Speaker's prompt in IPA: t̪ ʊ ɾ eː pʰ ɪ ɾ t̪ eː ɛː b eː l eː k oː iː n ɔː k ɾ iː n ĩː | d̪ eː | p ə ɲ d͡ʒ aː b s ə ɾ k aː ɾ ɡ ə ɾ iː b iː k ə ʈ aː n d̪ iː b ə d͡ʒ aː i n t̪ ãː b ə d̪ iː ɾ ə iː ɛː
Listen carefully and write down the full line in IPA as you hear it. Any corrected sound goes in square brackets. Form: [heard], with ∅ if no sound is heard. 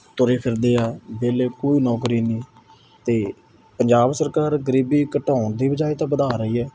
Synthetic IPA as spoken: t̪ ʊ ɾ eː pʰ ɪ ɾ [d̪] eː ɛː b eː l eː k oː iː n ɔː k ɾ iː n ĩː | [t̪] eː | p ə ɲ d͡ʒ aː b s ə ɾ k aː ɾ ɡ ə ɾ iː b iː k ə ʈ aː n d̪ iː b ə d͡ʒ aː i [∅] t̪ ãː b ə d̪ [aː] ɾ ə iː ɛː

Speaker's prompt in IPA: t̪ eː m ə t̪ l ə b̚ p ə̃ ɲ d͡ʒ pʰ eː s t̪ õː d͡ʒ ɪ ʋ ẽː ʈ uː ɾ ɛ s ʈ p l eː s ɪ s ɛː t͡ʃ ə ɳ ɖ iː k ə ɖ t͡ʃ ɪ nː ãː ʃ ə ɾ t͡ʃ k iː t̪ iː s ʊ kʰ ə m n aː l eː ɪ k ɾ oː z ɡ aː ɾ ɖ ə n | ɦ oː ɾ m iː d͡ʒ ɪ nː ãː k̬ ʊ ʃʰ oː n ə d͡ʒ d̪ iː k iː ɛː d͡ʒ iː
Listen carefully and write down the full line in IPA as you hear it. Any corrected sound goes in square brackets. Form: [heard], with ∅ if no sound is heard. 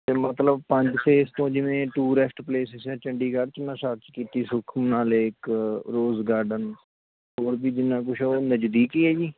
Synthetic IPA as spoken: t̪ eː m ə t̪ l ə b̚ p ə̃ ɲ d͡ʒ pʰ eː s t̪ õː d͡ʒ ɪ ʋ ẽː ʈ uː ɾ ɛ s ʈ p l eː s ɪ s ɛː t͡ʃ ə ɳ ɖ iː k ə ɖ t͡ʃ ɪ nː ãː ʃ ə ɾ t͡ʃ k iː t̪ iː s ʊ kʰ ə m n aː l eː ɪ k ɾ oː z ɡ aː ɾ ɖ ə n | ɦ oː ɾ [b] iː d͡ʒ ɪ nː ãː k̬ ʊ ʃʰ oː n ə d͡ʒ d̪ iː k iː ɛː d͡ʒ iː

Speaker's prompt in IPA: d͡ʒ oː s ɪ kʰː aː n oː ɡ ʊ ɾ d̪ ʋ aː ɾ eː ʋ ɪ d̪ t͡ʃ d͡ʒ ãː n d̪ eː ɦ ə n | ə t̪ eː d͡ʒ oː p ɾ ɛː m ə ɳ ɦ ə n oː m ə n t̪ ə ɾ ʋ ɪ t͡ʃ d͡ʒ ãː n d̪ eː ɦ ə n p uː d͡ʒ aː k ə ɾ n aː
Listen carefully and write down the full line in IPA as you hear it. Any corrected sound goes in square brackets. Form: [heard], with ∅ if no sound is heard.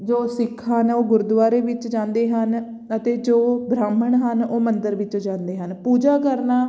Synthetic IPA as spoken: d͡ʒ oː s ɪ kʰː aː n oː ɡ ʊ ɾ d̪ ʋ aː ɾ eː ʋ ɪ [∅] t͡ʃ d͡ʒ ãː n d̪ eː ɦ ə n | ə t̪ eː d͡ʒ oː [b] ɾ [aː] m ə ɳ ɦ ə n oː m ə n [d̪] ə ɾ ʋ ɪ t͡ʃ d͡ʒ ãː n d̪ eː ɦ ə n p uː d͡ʒ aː k ə ɾ n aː

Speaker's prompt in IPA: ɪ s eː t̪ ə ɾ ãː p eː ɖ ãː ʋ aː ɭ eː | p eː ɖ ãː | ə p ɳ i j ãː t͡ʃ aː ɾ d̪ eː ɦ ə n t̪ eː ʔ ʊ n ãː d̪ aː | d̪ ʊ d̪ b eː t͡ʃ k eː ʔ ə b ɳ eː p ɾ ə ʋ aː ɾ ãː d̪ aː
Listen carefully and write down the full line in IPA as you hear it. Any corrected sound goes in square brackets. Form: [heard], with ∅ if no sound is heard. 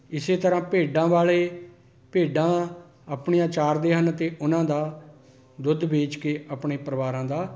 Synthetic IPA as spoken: ɪ s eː t̪ ə ɾ ãː p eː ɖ ãː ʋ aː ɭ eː | p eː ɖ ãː | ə p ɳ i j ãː t͡ʃ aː ɾ d̪ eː ɦ ə n t̪ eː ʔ ʊ n ãː d̪ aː | d̪ ʊ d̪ b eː t͡ʃ k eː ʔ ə [p] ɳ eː p ɾ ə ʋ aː ɾ ãː d̪ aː

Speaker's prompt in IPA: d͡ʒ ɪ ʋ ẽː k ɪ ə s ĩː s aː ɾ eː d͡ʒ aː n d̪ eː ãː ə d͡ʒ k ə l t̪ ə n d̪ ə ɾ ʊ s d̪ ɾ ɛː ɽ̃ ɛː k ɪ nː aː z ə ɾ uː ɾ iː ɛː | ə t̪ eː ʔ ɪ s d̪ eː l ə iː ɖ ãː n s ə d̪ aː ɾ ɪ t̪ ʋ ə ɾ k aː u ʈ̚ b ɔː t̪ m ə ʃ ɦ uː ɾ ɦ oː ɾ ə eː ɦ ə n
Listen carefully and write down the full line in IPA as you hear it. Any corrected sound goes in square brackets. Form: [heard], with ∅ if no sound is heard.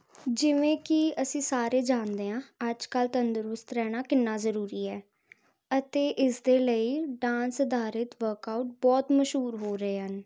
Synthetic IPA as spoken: d͡ʒ ɪ ʋ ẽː k ɪ ə s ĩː s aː ɾ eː d͡ʒ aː n d̪ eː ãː ə d͡ʒ k ə l t̪ ə n d̪ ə ɾ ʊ s [t̪] ɾ ɛː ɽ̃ [aː] k ɪ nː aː z ə ɾ uː ɾ iː ɛː | ə t̪ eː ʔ ɪ s d̪ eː l ə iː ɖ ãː n s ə d̪ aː ɾ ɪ t̪ ʋ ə ɾ k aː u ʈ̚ b ɔː t̪ m ə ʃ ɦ uː ɾ ɦ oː ɾ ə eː ɦ ə n

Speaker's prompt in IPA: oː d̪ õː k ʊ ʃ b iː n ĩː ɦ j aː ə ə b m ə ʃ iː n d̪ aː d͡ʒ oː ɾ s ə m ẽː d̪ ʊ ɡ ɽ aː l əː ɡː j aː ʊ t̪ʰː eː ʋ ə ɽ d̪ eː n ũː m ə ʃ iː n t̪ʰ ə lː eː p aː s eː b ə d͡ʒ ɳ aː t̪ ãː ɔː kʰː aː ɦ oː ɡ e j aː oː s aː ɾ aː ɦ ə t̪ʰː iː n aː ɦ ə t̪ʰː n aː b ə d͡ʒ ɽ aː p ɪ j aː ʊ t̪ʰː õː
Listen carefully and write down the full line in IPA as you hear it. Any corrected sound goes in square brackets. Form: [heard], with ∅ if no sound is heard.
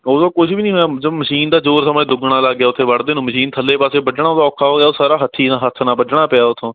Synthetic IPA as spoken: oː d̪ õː k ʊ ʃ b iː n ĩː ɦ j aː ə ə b m ə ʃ iː n d̪ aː d͡ʒ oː ɾ s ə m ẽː d̪ ʊ ɡ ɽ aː l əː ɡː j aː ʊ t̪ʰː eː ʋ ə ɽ d̪ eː n ũː m ə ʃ iː n t̪ʰ ə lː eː p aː s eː b ə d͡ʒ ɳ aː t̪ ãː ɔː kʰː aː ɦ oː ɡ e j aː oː s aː ɾ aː ɦ ə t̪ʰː iː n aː ɦ ə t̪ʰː n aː b ə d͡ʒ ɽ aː p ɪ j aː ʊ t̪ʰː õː

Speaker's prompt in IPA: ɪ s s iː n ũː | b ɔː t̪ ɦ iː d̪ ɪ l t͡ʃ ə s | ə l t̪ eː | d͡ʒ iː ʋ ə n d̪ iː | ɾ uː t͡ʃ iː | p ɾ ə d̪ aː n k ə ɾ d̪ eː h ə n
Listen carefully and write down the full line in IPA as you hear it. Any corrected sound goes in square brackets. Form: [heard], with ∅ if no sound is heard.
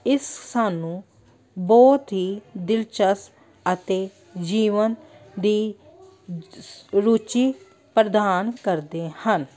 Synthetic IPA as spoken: ɪ s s [aː] n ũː | b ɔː t̪ ɦ iː d̪ ɪ l t͡ʃ ə s | ə [∅] t̪ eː | d͡ʒ iː ʋ ə n d̪ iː | ɾ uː t͡ʃ iː | p ɾ ə d̪ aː n k ə ɾ d̪ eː h ə n

